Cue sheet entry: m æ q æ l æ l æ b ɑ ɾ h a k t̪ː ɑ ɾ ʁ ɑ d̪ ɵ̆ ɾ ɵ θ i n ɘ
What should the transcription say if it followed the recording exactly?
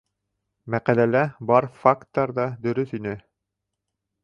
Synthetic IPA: m æ q æ l æ l æ b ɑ ɾ f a k t̪ː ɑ ɾ ð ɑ d̪ ɵ̆ ɾ ɵ θ i n ɘ